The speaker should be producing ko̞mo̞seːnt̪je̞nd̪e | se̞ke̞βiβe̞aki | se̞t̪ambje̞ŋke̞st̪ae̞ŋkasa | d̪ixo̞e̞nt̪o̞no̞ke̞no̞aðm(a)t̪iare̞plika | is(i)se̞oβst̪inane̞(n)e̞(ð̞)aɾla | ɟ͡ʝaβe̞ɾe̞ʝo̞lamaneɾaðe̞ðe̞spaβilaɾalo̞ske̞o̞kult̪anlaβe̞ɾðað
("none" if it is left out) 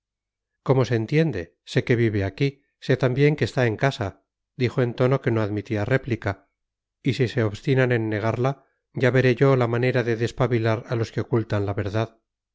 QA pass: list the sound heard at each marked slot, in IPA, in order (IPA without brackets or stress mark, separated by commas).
i, i, nː, ɣ̞